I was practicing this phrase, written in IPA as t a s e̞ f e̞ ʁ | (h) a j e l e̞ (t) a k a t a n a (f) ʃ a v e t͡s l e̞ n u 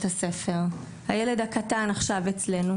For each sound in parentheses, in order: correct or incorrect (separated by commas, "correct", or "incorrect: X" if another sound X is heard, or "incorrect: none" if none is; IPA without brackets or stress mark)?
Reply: correct, incorrect: d, incorrect: χ